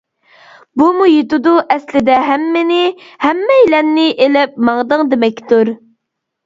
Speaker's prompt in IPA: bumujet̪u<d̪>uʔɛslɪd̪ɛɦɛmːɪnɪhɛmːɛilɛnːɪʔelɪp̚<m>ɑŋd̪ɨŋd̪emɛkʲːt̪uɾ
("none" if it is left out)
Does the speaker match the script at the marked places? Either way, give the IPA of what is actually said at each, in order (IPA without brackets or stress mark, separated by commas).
d̪, m